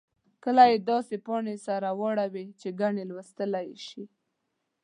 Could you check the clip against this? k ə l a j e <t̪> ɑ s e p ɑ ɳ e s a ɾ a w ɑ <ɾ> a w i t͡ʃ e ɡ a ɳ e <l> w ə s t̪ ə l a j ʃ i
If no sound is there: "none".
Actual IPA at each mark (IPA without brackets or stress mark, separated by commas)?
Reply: d̪, ɽ, l